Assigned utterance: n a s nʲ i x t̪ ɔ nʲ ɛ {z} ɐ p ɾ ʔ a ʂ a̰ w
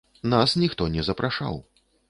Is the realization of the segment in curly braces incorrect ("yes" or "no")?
no